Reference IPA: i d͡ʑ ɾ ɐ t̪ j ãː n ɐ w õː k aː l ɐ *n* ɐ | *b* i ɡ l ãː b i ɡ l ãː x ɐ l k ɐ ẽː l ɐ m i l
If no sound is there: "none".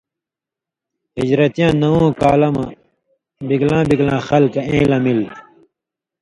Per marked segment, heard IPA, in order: m, b

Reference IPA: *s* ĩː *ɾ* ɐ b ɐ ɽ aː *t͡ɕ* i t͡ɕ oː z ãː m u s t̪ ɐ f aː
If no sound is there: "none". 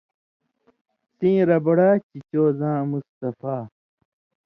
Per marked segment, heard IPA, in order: s, ɾ, t͡ɕ

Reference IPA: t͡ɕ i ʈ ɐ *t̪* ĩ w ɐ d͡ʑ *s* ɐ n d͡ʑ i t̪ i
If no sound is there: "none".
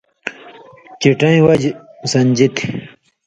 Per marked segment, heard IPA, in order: none, s

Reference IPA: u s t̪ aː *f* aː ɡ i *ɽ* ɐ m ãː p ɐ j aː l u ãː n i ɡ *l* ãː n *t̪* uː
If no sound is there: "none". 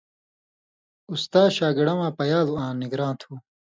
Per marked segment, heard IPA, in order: ɕ, ɽ, ɾ, t̪ʰ

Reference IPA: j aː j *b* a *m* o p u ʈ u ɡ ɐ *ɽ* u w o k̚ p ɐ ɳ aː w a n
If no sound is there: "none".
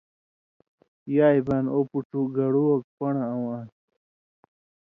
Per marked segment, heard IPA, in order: b, n, ɽ

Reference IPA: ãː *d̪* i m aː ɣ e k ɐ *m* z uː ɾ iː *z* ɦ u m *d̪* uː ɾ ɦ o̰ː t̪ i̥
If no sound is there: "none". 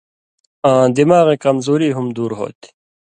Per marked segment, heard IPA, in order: d̪, m, none, d̪

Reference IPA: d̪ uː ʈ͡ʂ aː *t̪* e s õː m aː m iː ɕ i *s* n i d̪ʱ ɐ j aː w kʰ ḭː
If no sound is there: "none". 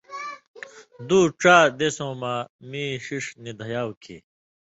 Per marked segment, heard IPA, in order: d̪, ʂ

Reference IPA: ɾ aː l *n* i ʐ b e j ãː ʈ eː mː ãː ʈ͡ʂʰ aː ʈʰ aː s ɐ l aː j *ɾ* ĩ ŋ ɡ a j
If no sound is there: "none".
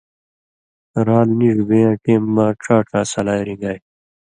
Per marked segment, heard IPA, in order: n, ɾ

